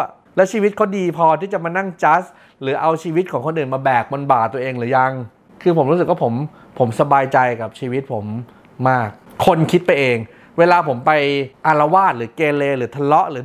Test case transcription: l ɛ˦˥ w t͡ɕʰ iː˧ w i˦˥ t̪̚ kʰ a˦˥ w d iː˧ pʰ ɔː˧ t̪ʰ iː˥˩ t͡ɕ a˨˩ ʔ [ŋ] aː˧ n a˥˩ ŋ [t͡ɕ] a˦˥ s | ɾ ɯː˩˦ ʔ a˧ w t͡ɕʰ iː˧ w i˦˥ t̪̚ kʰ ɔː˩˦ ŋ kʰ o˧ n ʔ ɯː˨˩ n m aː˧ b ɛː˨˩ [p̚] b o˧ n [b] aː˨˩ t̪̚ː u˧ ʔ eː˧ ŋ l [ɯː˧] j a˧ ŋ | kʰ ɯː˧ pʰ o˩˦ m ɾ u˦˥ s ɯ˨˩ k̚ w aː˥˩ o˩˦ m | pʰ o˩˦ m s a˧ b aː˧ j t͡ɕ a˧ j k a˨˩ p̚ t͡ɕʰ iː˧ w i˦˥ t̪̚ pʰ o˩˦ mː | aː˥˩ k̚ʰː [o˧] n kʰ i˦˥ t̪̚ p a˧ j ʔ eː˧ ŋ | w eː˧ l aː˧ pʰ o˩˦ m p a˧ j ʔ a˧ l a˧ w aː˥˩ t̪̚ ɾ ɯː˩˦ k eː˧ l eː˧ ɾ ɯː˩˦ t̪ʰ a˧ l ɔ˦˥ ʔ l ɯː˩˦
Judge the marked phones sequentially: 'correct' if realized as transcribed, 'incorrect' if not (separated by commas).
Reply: incorrect, correct, incorrect, correct, incorrect, correct